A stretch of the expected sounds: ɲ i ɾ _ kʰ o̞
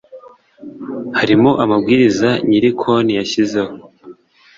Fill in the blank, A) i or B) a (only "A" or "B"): A